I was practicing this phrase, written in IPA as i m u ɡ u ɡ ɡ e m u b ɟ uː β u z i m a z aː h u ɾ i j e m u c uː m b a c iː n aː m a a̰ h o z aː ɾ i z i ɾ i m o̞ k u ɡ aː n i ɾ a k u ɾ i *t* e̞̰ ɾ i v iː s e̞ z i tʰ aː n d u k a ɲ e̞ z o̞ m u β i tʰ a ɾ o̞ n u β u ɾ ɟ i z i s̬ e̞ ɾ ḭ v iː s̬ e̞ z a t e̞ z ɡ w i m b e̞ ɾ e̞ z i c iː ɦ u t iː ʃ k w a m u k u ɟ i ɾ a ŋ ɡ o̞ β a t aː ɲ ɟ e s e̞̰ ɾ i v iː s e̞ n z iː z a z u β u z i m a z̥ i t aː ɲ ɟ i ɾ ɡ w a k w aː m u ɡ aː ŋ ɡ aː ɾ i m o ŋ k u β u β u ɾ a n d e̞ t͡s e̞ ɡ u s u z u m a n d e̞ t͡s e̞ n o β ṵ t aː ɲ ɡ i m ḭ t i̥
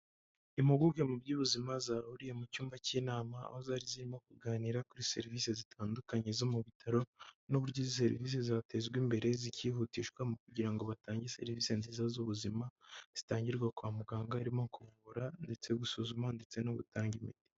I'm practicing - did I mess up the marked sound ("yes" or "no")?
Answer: yes